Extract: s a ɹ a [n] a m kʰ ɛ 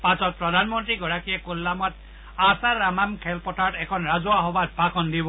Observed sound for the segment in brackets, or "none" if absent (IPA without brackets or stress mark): m